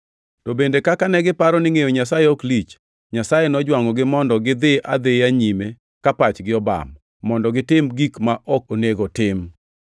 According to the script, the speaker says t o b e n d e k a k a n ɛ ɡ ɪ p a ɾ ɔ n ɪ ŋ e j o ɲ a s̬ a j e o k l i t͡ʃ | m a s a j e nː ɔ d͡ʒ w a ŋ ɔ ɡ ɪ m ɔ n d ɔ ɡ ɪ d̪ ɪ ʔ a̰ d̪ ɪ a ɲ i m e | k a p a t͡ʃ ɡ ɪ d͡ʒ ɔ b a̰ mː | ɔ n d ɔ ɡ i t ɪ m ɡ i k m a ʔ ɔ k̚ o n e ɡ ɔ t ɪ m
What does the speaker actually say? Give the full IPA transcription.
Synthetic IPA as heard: t o b e n d e k a k a n ɛ ɡ ɪ p a ɾ ɔ n ɪ ŋ e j o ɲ a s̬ a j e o k l i t͡ʃ | ɲ a s a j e n ɔ d͡ʒ w a ŋ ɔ ɡ ɪ m ɔ n d ɔ ɡ ɪ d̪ ɪ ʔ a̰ d̪ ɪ a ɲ i m e | k a p a t͡ʃ ɡ ɪ ɔ b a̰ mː | ɔ n d ɔ ɡ ɪ t ɪ m ɡ i k m a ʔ ɔ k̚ o n e ɡ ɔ t ɪ m

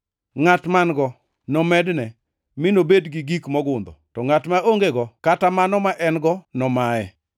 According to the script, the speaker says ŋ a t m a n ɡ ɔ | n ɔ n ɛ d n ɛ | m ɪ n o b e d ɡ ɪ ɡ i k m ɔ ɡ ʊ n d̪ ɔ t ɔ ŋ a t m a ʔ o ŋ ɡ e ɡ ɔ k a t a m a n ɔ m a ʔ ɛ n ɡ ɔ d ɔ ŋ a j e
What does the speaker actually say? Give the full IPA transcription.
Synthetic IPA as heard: ŋ a t m a n ɡ ɔ | n ɔ m ɛ d n ɛ | m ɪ n o b e d ɡ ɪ ɡ i k m ɔ ɡ ʊ n d̪ ɔ t ɔ ŋ a t m a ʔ o ŋ ɡ e ɡ ɔ k a t a m a n ɔ m a ʔ ɛ n ɡ ɔ n ɔ m a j ɛ

